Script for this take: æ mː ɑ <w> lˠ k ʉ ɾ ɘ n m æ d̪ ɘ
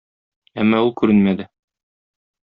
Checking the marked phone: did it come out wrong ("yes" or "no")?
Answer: yes